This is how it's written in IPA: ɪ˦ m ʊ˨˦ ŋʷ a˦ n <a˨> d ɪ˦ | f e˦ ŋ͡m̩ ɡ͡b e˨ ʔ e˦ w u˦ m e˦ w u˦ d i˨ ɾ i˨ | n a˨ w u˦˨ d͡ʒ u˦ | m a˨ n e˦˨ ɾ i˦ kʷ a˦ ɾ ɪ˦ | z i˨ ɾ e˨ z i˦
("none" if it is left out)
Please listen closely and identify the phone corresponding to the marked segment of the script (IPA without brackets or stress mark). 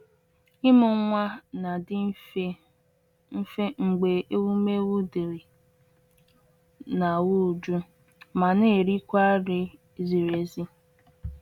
a˨